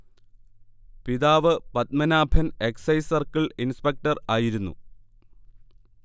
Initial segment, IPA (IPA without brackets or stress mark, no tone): p